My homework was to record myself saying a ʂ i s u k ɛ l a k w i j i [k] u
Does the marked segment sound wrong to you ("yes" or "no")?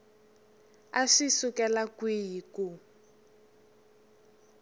no